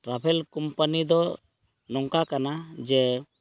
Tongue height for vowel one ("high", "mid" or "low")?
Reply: low